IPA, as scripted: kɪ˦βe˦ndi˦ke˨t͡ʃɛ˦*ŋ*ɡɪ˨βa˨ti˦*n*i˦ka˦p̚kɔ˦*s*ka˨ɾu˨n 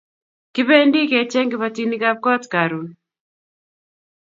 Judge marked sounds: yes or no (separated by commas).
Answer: yes, yes, no